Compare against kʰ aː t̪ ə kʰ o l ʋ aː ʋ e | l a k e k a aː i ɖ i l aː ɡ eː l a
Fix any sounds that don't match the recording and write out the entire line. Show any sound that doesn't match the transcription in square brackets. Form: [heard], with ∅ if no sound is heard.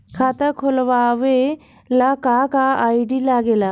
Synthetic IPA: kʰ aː t̪ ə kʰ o l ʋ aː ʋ e | l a k [a] k a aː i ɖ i l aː ɡ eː l a